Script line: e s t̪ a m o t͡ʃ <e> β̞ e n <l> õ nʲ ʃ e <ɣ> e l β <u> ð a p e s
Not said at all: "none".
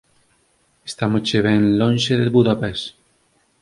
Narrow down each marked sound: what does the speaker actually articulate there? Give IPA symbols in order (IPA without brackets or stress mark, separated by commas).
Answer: e, l, ð, u